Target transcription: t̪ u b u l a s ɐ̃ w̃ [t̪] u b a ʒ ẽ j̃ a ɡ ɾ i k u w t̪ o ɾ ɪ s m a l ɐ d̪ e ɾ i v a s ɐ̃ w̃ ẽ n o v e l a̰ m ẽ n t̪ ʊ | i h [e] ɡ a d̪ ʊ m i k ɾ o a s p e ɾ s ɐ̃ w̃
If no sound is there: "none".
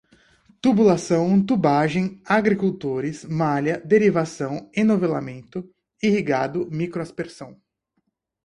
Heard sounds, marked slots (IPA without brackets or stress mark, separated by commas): t̪, i